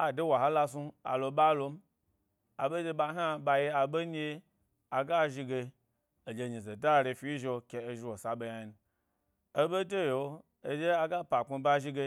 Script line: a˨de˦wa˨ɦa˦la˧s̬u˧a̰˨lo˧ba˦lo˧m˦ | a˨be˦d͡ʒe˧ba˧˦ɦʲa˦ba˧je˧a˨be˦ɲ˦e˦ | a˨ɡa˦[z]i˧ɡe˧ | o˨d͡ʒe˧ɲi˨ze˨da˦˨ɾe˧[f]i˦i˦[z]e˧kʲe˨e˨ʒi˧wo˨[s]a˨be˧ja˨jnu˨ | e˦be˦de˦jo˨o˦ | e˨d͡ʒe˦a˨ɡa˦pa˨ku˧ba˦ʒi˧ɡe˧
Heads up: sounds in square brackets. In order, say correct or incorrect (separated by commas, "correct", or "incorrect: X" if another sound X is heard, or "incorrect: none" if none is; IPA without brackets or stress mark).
incorrect: ʒ, correct, incorrect: ʒ, correct